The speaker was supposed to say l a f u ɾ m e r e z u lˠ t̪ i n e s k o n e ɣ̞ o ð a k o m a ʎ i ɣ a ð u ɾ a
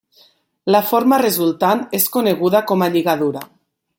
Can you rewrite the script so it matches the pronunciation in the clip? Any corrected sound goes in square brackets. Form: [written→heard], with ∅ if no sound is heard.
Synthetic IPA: l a f [u→o] ɾ m [e→a] r e z u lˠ t̪ [i→a] n e s k o n e ɣ̞ [o→u] ð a k o m a ʎ i ɣ a ð u ɾ a

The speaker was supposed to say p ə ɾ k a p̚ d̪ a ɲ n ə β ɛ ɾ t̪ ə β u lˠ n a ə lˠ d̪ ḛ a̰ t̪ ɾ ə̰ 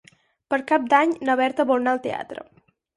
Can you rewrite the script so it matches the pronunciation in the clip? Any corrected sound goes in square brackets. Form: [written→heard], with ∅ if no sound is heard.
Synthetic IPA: p ə ɾ k a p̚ d̪ a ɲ n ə β ɛ ɾ t̪ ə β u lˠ n a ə lˠ [d̪→t̪] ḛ a̰ t̪ ɾ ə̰

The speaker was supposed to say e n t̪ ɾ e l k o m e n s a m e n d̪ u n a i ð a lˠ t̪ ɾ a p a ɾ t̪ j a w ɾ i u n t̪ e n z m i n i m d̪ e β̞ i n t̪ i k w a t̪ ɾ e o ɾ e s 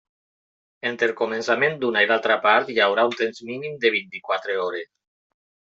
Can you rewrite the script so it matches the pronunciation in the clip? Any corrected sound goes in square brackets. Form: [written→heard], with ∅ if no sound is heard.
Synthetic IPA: e n t̪ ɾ e l k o m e n s a m e n d̪ u n a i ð a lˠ t̪ ɾ a p a ɾ t̪ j a w ɾ [i→a] u n t̪ e n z m i n i m d̪ e β̞ i n t̪ i k w a t̪ ɾ e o ɾ e s

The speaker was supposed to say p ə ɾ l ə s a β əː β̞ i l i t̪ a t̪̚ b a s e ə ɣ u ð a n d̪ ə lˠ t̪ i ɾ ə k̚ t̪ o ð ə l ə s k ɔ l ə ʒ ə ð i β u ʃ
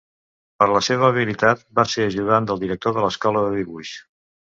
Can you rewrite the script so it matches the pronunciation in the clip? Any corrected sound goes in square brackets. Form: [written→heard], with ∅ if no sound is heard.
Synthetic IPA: p ə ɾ l ə s [a→e] β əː β̞ i l i t̪ a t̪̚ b a s e ə [ɣ→ʒ] u ð a n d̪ ə lˠ [t̪→d̪] i ɾ ə k̚ t̪ o ð ə l ə s k ɔ l ə [ʒ→ð] ə ð i β u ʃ

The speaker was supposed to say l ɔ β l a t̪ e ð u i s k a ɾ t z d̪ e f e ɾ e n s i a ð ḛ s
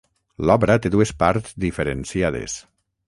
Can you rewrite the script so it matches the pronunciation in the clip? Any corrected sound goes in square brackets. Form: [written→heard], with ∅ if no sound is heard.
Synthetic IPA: l ɔ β [l→ɾ] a t̪ e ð u [i→e] s [k→p] a ɾ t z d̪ [e→i] f e ɾ e n s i a ð ḛ s

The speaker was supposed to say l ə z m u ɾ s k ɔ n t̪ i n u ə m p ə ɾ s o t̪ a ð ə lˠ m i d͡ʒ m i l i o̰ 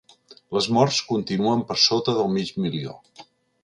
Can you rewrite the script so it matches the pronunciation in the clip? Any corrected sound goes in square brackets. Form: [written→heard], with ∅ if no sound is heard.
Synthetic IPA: l ə z m [u→ɔ] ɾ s k [ɔ→u] n t̪ i n u ə m p ə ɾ s o t̪ [a→ə] ð ə lˠ m i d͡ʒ m i l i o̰

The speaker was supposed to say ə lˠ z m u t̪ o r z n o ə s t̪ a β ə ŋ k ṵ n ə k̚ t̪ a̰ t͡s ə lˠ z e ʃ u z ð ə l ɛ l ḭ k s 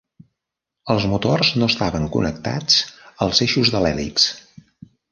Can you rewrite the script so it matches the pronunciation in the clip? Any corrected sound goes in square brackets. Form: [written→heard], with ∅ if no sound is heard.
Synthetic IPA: ə lˠ z m u t̪ o r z n o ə s t̪ a β ə ŋ k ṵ n ə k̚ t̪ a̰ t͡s ə lˠ z e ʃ u z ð ə l ɛ l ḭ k s

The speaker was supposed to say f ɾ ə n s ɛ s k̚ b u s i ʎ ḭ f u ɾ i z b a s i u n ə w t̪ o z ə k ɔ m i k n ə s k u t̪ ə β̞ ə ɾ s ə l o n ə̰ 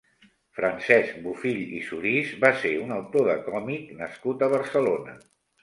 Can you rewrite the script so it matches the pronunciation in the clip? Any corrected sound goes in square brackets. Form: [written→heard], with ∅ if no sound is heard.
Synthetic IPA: f ɾ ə n s ɛ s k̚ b u [s→f] i ʎ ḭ [f→s] u ɾ i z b a s [i→e] u n ə w t̪ o [z→ð] ə k ɔ m i k n ə s k u t̪ ə β̞ ə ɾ s ə l o n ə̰

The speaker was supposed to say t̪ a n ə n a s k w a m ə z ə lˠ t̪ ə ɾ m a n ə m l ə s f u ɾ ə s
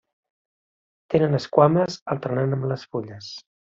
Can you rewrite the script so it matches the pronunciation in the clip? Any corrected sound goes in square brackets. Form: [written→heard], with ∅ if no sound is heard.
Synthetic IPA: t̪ [a→e] n ə n [a→ə] s k w a m ə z ə lˠ t̪ ə ɾ [m→n] a n ə m l ə s f u [ɾ→ʎ] ə s

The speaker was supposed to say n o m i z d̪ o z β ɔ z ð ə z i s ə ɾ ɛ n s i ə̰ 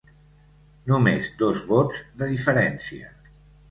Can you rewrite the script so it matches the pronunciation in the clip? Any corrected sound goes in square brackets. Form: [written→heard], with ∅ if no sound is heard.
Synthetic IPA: n [o→u] m [i→e] z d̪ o z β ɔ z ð ə [z→ð] i [s→f] ə ɾ ɛ n s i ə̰

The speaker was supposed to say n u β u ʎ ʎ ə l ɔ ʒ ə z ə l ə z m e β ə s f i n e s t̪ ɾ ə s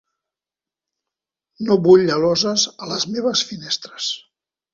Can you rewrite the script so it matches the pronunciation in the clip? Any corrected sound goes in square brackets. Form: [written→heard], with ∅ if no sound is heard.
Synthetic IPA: n [u→o] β u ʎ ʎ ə l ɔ [ʒ→z] ə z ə l ə z m e β ə s f i n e s t̪ ɾ ə s

